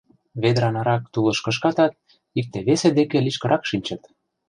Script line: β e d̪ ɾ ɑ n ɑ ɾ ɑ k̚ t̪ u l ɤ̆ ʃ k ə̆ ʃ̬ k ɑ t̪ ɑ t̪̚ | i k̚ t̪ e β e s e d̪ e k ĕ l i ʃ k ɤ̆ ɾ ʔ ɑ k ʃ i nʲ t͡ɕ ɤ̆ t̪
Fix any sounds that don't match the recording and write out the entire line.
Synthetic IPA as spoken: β e d̪ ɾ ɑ n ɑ ɾ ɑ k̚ t̪ u l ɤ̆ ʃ k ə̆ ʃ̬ k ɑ t̪ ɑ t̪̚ | i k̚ t̪ e β e s e d̪ e k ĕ l i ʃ k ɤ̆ ɾ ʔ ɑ k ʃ i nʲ t͡ɕ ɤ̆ t̪

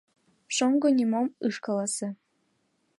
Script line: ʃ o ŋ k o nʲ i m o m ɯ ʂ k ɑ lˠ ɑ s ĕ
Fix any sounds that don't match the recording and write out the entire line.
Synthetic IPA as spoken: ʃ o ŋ ɡ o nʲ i m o m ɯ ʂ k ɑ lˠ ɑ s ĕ

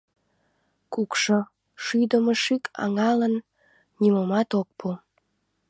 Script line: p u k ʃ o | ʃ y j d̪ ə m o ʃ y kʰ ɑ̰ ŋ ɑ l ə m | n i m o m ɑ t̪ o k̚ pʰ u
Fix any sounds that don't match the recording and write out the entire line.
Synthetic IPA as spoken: k u k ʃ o | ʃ y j d̪ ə m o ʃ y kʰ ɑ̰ ŋ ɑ l ə n | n i m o m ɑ t̪ o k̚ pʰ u

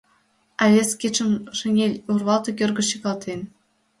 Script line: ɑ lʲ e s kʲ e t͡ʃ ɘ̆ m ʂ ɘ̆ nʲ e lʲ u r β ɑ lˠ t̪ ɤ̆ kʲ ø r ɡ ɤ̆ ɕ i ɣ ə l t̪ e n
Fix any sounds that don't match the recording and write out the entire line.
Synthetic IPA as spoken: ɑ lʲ e s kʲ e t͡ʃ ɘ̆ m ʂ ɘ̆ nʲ e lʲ u r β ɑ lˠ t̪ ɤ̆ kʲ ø r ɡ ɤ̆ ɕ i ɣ ɑ l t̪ e n

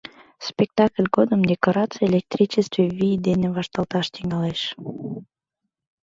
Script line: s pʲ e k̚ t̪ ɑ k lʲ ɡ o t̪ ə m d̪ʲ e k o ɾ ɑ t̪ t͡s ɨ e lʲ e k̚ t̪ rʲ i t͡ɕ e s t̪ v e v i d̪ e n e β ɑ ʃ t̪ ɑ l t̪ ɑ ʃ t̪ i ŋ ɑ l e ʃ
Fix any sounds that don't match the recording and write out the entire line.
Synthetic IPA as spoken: s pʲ e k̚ t̪ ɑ k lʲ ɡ o d̪ ə m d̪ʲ e k o ɾ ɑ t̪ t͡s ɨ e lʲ e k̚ t̪ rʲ i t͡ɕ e s t̪ v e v i d̪ e n e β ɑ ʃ t̪ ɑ l t̪ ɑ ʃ t̪ i ŋ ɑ l e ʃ

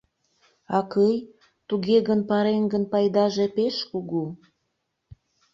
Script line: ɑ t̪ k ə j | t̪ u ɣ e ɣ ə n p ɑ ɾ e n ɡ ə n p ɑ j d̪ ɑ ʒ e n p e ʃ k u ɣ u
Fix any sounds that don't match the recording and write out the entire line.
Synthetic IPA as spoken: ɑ k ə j | t̪ u ɣ e ɣ ə n p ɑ ɾ e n ɡ ə n p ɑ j d̪ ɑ ʒ e p e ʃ k u ɣ u

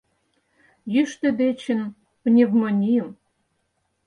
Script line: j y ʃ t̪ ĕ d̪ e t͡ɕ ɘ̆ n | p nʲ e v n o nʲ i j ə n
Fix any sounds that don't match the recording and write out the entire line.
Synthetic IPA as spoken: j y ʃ t̪ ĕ d̪ e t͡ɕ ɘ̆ n | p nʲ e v m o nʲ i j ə m

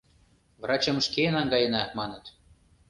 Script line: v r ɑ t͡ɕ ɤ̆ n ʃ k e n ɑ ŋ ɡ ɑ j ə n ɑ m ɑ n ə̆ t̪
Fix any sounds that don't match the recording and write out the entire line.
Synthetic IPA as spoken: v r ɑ t͡ɕ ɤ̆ m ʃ k e n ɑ ŋ ɡ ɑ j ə n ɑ m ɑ n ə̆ t̪

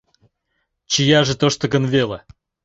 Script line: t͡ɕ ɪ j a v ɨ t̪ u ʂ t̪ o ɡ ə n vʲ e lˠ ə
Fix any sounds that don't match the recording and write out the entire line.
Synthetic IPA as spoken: t͡ɕ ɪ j a ʐ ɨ t̪ o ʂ t̪ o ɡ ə n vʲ e lˠ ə

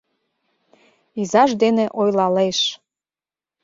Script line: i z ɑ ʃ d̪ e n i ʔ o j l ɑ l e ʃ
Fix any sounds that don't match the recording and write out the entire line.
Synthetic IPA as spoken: i z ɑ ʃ d̪ e n e ʔ o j l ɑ l e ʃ

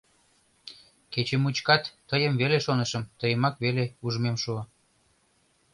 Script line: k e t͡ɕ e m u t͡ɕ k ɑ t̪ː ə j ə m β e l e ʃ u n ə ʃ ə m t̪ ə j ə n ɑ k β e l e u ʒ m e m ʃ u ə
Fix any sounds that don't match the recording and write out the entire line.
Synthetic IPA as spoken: k e t͡ɕ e m u t͡ɕ k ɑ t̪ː ə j ə m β e l e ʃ o n ə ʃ ə m t̪ ə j ə m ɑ k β e l e u ʒ m e m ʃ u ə

